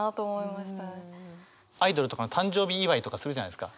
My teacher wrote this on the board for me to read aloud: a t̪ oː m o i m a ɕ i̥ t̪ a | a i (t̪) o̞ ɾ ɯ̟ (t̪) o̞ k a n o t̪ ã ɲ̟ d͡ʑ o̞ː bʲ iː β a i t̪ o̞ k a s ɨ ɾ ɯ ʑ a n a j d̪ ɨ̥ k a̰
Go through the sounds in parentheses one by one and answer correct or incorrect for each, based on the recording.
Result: incorrect, correct

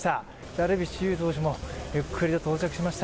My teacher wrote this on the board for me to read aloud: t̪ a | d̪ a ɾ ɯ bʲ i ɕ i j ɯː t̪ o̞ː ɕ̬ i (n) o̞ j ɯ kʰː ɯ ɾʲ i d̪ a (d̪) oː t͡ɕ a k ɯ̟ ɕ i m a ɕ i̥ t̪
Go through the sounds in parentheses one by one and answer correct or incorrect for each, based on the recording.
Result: incorrect, incorrect

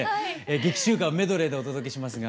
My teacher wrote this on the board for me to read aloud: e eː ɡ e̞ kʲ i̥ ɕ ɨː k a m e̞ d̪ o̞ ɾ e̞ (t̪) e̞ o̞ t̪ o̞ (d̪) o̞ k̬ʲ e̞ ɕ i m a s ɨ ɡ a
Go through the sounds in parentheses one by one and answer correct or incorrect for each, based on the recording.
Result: incorrect, correct

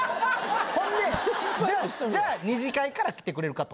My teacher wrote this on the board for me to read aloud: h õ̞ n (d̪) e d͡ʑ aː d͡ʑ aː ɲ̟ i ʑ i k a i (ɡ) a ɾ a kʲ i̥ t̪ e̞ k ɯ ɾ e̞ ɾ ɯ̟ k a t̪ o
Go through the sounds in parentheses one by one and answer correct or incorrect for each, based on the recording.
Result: correct, incorrect

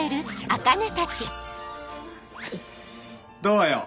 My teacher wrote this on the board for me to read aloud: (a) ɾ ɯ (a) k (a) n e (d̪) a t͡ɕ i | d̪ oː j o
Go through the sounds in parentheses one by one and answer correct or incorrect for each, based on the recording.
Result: incorrect, correct, correct, incorrect

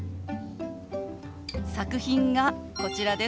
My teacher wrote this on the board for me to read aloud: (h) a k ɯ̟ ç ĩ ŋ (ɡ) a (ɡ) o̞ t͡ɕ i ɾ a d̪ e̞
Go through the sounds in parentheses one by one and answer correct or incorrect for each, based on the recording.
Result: incorrect, correct, incorrect

